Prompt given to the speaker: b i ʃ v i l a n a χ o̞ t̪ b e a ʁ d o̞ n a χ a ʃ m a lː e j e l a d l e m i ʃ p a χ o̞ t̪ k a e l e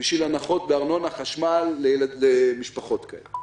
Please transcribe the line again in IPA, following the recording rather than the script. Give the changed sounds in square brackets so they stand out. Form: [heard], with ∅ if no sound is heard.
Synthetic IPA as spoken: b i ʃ v i l a n a χ o̞ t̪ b e a ʁ [n] o̞ n a χ a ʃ m a lː e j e l a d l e m i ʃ p a χ o̞ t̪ k a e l e

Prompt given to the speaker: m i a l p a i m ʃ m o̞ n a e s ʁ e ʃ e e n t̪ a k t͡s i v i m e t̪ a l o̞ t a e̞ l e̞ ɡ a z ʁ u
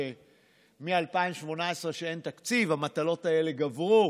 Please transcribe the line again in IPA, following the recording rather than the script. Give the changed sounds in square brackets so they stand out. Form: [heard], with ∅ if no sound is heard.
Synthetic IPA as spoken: m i a l p a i m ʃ m o̞ n a e s ʁ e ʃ e e n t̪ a k t͡s i v [a] m [a] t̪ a l o̞ t a e̞ l e̞ ɡ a [v] ʁ u

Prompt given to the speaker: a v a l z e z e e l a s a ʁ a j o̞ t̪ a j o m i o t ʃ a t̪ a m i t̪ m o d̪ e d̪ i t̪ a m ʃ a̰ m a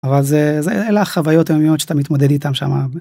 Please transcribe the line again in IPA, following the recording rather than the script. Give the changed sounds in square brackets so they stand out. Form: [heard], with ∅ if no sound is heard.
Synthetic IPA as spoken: a v a l z e z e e l a [χ] a [v] a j o̞ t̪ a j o m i o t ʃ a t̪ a m i t̪ m o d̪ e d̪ i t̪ a m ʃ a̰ m a

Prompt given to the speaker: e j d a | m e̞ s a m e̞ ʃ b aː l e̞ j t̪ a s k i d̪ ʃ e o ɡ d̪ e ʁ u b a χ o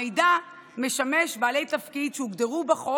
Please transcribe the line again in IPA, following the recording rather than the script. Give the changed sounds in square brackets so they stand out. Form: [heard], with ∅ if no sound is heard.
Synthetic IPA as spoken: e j d a | m e̞ [ʃ] a m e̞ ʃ b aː l e̞ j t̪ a [f] k i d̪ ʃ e [u] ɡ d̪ e ʁ u b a χ o

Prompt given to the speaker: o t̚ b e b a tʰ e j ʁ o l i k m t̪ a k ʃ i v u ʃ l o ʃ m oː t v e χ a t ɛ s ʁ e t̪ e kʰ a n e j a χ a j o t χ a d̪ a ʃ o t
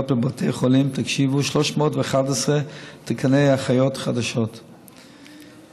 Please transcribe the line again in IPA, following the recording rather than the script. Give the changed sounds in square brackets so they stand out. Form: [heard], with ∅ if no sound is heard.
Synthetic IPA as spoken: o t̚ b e b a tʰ e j [χ] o l i [∅] m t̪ a k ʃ i v u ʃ l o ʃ m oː t v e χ a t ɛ s ʁ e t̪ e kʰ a n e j a χ a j o t χ a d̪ a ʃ o t

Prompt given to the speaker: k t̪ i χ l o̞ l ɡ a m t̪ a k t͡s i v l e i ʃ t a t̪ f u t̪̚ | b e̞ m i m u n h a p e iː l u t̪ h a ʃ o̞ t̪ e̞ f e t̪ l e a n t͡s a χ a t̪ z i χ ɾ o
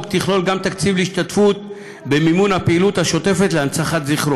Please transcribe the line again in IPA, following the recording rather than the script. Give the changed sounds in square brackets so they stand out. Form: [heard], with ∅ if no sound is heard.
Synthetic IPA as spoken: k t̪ i χ l o̞ l ɡ a m t̪ a k t͡s i v l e i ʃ t a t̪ f u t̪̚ | b e̞ m i m u n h a p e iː l u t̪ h a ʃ o̞ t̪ e̞ f e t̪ l e a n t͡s a χ a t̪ z i χ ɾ o

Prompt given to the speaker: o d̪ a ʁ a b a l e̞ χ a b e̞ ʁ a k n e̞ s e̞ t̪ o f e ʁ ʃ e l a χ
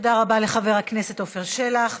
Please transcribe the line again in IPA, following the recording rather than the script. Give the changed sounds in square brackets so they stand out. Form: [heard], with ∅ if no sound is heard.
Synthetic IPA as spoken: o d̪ a ʁ a b a l e̞ χ a [v] e̞ ʁ a k n e̞ s e̞ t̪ o f e ʁ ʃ e l a χ

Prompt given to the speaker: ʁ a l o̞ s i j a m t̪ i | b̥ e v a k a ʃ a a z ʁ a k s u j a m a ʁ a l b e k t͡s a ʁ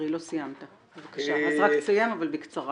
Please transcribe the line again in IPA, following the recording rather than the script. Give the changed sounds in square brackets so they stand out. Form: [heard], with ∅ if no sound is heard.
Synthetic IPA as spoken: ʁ [i] l o̞ s i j a m t̪ [a] | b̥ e v a k a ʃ a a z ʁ a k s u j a m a [v] a l b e k t͡s a ʁ

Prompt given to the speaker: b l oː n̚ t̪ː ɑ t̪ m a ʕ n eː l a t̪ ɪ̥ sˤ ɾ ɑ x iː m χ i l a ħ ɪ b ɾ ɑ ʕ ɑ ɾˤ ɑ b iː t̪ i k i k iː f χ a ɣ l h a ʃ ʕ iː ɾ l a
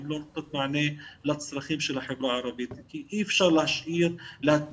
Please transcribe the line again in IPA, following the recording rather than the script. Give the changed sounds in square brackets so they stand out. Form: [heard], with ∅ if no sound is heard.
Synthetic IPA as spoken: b l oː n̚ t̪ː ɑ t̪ m a ʕ n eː l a t̪ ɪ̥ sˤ ɾ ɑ x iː m [ʃ] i l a ħ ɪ b ɾ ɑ ʕ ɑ ɾˤ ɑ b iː t̪ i k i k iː f [ʃ] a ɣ l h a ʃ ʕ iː ɾ l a

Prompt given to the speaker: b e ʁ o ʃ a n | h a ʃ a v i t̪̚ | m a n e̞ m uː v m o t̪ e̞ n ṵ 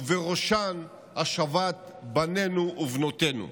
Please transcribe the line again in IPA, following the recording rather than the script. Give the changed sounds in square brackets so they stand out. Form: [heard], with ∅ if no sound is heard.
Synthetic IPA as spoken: [v] e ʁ o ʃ a n | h a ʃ a v [a] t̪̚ | [b] a n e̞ [n] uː v [n] o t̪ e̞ n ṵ

